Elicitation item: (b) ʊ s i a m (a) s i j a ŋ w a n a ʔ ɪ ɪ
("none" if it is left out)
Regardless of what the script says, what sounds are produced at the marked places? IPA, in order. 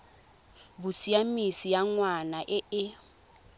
b, i

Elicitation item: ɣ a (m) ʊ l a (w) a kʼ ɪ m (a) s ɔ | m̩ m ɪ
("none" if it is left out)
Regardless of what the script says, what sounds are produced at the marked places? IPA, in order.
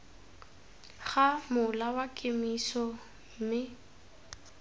m, w, i

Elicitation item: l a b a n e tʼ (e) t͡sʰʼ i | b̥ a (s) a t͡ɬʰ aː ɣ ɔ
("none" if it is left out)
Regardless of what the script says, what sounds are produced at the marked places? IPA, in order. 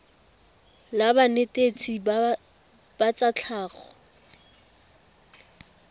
e, t͡s

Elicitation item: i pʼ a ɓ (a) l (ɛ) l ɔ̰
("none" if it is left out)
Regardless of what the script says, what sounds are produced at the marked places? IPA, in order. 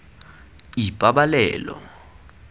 a, ɛː

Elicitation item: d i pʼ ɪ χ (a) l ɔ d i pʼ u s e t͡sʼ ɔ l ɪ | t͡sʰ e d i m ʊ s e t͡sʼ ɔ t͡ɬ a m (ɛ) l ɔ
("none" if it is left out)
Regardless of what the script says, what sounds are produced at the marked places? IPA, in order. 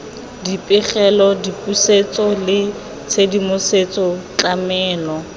ɛ, ɛː

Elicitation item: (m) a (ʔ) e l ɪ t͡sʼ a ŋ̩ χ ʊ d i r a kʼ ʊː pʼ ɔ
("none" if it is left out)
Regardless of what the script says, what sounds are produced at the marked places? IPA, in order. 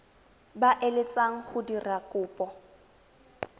b, ʔ

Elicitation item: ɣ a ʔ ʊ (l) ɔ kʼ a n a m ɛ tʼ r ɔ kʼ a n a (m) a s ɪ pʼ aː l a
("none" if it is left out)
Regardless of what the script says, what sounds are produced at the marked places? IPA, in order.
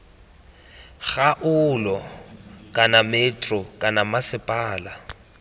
l, m

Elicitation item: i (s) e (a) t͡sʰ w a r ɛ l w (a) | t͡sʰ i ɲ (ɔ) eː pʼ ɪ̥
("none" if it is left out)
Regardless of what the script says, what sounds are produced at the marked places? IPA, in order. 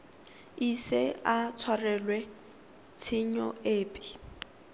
s, a, ɛ, ɔ

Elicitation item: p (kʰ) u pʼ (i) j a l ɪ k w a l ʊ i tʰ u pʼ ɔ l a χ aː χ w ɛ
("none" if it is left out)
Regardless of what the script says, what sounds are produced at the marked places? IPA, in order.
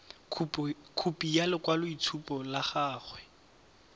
kʰ, i

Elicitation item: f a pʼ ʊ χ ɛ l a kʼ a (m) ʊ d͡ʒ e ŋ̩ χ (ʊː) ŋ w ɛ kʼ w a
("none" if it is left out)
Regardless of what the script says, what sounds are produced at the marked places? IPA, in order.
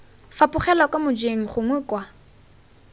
m, ʊ

